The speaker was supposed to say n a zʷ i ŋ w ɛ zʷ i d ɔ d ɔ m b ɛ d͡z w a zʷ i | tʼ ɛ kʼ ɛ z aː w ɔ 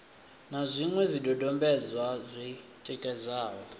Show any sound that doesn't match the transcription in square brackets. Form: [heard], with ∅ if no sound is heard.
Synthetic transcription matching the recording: n a zʷ i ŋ w ɛ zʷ i d ɔ d ɔ m b ɛ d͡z w a zʷ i | tʼ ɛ kʼ ɛ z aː w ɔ

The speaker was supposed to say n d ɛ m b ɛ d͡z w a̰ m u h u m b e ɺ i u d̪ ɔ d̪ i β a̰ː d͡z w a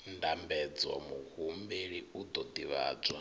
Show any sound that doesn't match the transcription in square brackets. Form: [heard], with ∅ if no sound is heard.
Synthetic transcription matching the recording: n d [a] m b ɛ d͡z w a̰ m u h u m b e ɺ i u d̪ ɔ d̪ i β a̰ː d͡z w a

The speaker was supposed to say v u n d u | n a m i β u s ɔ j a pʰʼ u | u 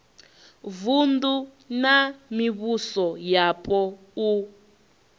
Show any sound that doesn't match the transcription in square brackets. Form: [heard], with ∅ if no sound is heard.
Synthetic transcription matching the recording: v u n d u | n a m i β u s ɔ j a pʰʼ [ɔ] | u

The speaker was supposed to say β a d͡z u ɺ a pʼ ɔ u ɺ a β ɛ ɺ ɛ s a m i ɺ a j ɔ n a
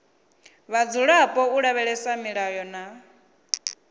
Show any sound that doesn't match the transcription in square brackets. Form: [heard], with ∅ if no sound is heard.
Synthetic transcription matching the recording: β a d͡z u ɺ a pʼ ɔ u ɺ a β ɛ ɺ ɛ s a m i ɺ a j ɔ n a

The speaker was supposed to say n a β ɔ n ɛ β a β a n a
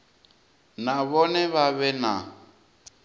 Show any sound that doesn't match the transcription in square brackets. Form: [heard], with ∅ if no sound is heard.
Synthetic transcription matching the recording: n a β ɔ n ɛ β a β [ɛ] n a

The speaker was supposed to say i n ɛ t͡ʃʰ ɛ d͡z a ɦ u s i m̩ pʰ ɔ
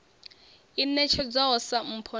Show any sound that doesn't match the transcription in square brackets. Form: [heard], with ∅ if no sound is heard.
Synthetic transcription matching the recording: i n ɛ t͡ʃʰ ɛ d͡z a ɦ [ɔ] s [a] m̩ pʰ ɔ

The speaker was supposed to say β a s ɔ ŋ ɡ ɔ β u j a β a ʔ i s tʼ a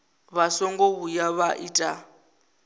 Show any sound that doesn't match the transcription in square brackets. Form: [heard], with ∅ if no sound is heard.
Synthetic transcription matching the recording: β a s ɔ ŋ ɡ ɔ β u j a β a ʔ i [∅] tʼ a

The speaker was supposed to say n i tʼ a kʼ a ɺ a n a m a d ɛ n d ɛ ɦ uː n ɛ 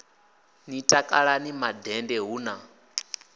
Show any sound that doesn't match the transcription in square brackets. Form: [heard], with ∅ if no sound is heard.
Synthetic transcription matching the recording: n i tʼ a kʼ a ɺ a n [i] m a d ɛ n d ɛ ɦ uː n [a]

